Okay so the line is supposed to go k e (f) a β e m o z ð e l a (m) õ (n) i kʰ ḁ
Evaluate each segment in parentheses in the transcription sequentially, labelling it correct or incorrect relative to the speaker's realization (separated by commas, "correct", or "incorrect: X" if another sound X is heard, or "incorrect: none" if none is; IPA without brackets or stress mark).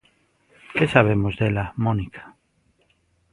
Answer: incorrect: s, correct, correct